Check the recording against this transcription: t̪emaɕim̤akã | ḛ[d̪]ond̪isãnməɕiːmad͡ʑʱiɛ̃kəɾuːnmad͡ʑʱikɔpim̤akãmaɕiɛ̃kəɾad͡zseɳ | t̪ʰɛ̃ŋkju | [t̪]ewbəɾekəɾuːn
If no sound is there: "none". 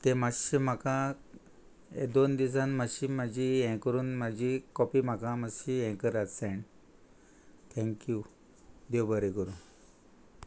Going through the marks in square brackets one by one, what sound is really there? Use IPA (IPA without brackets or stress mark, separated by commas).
d̪, d̪